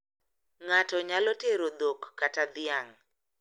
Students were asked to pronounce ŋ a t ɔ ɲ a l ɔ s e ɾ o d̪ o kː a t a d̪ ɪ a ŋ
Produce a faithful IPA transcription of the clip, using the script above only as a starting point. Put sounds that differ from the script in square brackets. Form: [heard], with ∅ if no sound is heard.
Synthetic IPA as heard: ŋ a t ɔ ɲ a l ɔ [t] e ɾ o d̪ o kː a t a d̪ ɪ a ŋ